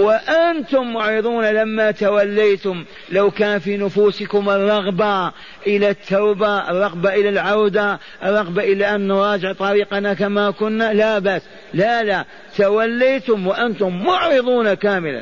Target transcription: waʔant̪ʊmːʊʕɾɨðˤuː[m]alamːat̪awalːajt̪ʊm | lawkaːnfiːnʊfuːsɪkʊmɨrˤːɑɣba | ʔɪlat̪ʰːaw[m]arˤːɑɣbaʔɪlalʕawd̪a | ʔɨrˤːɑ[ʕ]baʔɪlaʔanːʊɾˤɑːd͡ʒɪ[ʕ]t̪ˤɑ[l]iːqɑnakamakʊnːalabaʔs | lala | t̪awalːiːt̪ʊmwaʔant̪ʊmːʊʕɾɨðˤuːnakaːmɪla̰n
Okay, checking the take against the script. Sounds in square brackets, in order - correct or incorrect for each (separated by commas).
incorrect, incorrect, incorrect, correct, incorrect